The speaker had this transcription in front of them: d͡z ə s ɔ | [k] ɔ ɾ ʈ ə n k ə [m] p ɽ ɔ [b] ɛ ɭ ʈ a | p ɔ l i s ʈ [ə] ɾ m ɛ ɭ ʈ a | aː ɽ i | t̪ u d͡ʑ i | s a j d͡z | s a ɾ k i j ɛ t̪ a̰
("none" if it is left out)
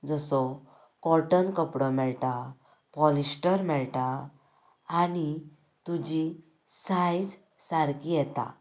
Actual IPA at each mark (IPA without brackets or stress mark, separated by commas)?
k, none, m, ə